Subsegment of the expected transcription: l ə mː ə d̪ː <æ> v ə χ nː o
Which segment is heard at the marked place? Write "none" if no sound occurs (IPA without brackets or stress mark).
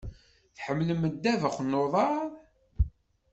æ